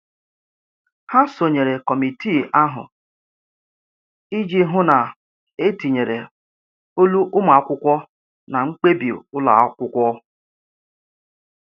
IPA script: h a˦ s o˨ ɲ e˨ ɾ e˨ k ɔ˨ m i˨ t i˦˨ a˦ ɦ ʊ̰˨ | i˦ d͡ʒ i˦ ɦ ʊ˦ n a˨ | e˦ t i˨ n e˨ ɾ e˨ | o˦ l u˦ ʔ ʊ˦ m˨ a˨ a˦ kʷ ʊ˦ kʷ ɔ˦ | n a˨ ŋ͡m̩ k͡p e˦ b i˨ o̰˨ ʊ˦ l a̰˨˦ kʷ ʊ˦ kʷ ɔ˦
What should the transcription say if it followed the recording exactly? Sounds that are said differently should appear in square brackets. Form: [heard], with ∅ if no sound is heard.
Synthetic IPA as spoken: h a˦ s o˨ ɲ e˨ ɾ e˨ k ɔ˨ m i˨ t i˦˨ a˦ ɦ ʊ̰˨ | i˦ d͡ʒ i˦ ɦ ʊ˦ n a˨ | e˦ t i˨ [ɲ] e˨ ɾ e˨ | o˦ l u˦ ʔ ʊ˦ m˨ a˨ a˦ kʷ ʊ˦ kʷ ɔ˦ | n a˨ ŋ͡m̩ k͡p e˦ b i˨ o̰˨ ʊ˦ l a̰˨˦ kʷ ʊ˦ kʷ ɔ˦